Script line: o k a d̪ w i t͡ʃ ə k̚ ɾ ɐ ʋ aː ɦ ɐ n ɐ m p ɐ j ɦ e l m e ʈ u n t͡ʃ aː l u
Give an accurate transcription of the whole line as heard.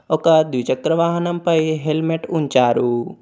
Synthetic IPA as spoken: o k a d̪ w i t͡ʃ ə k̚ ɾ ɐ ʋ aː ɦ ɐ n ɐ m p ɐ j ɦ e l m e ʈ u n t͡ʃ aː ɾ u